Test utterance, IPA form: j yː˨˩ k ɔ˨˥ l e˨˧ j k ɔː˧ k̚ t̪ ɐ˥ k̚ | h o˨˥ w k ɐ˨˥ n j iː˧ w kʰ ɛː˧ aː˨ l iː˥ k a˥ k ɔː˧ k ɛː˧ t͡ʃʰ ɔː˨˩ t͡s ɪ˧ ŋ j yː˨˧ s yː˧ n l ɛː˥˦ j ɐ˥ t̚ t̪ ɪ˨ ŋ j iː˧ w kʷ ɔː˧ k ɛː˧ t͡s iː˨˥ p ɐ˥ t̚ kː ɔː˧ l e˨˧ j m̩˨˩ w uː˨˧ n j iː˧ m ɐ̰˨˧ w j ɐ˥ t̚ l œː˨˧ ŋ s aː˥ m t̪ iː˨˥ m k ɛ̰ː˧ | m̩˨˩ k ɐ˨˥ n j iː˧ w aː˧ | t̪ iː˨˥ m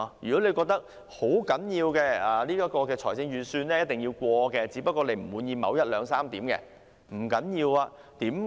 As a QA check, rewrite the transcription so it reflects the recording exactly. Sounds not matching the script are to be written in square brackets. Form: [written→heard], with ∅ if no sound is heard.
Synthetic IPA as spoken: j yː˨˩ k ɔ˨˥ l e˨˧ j k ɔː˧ k̚ t̪ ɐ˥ k̚ | h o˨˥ w k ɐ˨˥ n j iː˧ w [kʰ→k] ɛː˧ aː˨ l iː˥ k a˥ k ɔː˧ k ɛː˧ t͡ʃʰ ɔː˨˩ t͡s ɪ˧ ŋ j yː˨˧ s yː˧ n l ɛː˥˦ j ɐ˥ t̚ t̪ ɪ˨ ŋ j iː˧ w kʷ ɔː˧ k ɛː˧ t͡s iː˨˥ p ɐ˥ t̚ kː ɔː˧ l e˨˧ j m̩˨˩ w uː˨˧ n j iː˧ m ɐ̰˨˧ w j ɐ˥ t̚ l œː˨˧ ŋ s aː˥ m t̪ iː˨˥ m k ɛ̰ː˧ | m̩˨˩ k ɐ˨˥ n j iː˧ w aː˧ | t̪ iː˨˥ m